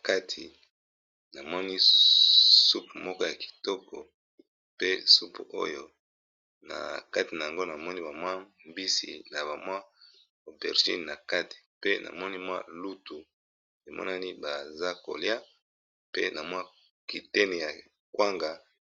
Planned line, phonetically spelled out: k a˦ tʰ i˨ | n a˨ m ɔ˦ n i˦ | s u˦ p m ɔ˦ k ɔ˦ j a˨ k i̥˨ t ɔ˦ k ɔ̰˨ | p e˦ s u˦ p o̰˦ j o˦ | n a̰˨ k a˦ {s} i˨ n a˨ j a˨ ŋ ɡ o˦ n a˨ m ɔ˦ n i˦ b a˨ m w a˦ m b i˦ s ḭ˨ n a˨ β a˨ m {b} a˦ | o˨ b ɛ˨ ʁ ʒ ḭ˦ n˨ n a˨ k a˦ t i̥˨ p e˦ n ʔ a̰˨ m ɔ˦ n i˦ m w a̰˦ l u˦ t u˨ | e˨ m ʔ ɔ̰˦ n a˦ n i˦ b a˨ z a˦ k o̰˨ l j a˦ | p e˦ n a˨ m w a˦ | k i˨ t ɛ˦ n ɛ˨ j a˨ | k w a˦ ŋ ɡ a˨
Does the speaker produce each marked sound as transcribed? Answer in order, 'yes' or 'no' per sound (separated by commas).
no, no